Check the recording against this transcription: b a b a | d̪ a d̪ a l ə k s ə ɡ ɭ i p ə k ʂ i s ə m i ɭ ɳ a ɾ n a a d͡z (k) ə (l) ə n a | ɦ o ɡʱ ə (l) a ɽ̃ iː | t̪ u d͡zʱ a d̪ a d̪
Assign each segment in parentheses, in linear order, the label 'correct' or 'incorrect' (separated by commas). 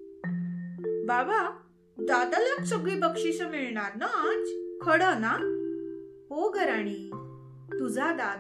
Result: incorrect, incorrect, incorrect